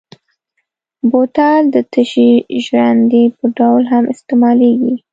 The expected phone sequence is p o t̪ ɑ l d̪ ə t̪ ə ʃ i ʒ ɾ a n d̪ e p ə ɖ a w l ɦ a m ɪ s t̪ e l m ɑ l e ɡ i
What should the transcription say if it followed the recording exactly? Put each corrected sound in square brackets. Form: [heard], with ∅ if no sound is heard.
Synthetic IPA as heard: [b] o t̪ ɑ l d̪ ə t̪ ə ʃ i ʒ ɾ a n d̪ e p ə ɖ a w l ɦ a m ɪ s t̪ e [∅] m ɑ l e ɡ i